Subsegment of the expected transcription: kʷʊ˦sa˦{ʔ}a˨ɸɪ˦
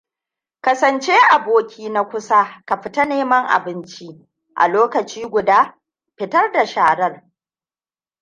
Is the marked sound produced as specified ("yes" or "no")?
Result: no